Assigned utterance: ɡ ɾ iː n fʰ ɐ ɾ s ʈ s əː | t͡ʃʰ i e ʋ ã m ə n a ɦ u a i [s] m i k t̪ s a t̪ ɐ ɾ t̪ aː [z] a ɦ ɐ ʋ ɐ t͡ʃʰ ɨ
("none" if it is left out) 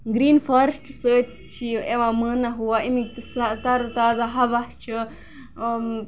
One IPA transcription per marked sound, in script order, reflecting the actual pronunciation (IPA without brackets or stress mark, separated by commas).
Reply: none, z